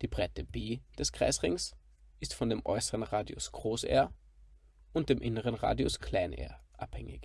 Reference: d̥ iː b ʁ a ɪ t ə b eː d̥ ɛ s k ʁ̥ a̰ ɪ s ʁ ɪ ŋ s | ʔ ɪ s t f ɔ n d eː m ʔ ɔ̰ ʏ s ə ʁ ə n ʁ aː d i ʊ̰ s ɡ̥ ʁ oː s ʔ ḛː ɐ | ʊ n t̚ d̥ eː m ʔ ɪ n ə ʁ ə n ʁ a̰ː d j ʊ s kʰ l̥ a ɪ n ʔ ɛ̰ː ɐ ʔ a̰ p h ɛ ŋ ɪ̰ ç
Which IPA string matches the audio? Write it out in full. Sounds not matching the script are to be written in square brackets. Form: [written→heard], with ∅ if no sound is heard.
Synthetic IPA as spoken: d̥ iː b ʁ a ɪ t ə b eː d̥ ɛ s k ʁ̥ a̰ ɪ s ʁ ɪ ŋ s | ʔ ɪ s t f ɔ n d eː m ʔ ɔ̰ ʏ s ə ʁ ə n ʁ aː d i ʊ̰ s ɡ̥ ʁ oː s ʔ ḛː ɐ | ʊ n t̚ d̥ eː m ʔ ɪ n ə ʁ ə n ʁ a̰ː d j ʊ s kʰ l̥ a ɪ n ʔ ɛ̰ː ɐ ʔ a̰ p h ɛ ŋ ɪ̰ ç